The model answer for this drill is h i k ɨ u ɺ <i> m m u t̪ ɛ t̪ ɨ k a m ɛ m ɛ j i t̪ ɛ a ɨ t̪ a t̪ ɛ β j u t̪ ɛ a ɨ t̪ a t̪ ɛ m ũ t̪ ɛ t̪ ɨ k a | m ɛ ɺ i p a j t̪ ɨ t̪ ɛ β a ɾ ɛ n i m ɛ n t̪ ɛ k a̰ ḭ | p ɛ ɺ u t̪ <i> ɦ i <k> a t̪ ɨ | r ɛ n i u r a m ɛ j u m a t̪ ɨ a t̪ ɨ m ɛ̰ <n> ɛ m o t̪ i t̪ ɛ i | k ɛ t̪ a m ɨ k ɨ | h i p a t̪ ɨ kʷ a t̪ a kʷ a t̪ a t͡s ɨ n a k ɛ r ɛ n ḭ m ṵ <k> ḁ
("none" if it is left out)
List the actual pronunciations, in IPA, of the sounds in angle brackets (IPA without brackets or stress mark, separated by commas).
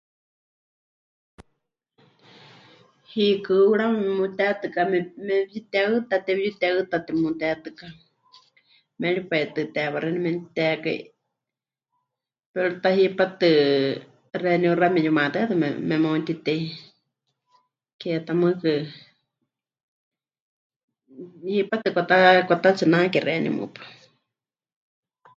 a, a, p, m, p